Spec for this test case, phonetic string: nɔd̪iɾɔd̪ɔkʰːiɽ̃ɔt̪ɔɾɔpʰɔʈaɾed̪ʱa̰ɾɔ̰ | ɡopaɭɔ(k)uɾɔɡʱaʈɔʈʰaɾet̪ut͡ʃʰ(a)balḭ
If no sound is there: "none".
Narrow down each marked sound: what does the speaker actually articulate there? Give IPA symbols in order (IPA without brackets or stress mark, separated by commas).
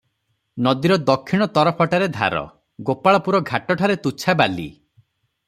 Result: p, a